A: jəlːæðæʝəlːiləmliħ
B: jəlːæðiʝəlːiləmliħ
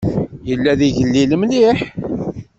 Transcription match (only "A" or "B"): B